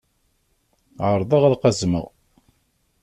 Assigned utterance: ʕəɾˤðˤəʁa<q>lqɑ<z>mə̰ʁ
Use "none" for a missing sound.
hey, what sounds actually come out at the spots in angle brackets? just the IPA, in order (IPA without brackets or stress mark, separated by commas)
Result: none, z